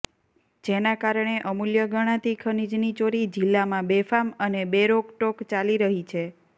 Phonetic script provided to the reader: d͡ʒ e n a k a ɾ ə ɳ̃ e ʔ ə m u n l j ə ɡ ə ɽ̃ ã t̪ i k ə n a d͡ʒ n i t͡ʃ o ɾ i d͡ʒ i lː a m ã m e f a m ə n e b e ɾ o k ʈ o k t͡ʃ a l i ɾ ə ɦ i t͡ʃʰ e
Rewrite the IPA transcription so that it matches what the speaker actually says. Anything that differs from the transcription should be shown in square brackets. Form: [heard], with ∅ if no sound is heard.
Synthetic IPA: d͡ʒ e n a k a ɾ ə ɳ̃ e ʔ ə m u [∅] l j ə ɡ ə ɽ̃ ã t̪ i [kʰ] ə n [i] d͡ʒ n i t͡ʃ o ɾ i d͡ʒ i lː a m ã [b] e f a m ə n e b e ɾ o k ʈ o k t͡ʃ a l i ɾ ə ɦ i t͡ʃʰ e